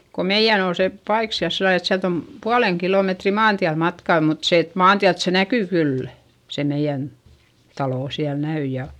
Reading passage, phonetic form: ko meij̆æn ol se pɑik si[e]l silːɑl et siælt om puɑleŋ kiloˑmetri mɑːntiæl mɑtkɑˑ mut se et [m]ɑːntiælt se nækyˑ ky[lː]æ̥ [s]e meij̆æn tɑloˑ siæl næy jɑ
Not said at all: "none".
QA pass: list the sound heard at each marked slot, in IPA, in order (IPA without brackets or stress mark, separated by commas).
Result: æ, m, lː, s